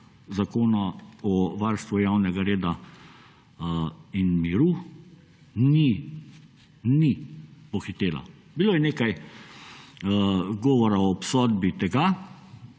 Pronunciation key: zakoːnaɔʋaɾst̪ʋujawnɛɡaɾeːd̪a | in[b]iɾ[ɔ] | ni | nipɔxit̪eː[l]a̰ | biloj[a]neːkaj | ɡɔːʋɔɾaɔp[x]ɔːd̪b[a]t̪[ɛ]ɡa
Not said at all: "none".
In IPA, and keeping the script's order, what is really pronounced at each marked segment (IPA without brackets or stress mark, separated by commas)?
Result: m, u, l, ɛ, s, i, ɛ